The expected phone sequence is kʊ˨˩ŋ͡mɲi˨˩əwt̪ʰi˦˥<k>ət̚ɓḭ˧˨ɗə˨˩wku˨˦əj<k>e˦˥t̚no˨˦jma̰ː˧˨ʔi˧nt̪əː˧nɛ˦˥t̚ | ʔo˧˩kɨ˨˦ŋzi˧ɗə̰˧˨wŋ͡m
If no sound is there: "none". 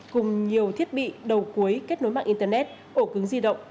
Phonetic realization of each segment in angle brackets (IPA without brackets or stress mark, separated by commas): none, k